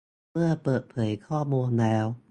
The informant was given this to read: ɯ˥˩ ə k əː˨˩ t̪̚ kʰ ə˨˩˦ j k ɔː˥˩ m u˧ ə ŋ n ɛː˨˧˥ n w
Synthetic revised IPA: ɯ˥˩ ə p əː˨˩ t̪̚ pʰ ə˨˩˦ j kʰ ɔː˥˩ m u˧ ə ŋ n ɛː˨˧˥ w